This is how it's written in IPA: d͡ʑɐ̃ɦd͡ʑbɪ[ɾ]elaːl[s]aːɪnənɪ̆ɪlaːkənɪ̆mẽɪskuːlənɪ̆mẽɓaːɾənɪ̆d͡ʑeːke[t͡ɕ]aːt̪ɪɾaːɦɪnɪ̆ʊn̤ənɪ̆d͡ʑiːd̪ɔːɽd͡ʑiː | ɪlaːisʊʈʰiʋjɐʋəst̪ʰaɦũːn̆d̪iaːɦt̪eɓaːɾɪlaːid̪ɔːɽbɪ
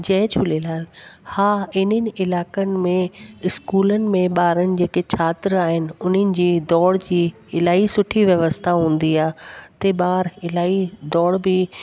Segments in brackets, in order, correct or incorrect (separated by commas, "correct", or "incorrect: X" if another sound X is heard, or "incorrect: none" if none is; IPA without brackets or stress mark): incorrect: l, incorrect: h, incorrect: t͡ɕʰ